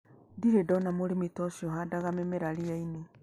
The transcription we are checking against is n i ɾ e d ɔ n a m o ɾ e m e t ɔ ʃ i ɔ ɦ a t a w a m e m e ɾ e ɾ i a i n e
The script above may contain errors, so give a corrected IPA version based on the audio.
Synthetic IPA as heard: d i ɾ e d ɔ n a m o ɾ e m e t ɔ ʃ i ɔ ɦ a d a ɣ a m e m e ɾ a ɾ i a i n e